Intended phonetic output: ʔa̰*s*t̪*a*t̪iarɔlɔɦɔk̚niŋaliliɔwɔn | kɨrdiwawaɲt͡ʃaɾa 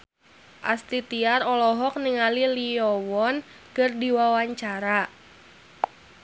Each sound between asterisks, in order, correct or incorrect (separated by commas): correct, incorrect